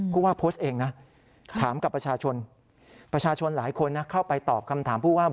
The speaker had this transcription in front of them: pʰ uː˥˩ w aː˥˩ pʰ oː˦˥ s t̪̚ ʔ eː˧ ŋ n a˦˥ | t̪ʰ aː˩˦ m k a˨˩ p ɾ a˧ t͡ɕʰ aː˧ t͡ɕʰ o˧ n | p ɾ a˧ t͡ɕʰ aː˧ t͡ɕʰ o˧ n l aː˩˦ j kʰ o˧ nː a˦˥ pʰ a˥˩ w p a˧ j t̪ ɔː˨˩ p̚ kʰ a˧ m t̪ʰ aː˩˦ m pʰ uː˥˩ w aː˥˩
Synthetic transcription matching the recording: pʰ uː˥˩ w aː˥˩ pʰ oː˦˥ s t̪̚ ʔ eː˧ ŋ n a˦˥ | t̪ʰ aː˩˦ m k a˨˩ p ɾ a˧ t͡ɕʰ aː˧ t͡ɕʰ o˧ n | p ɾ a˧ t͡ɕʰ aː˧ t͡ɕʰ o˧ n l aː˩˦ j kʰ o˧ nː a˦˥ kʰ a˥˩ w p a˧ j t̪ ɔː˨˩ p̚ kʰ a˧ m t̪ʰ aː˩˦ m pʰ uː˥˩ w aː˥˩